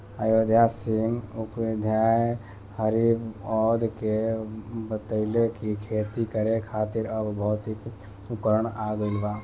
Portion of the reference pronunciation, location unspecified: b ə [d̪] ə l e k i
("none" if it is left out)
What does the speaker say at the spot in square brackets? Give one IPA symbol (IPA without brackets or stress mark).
t̪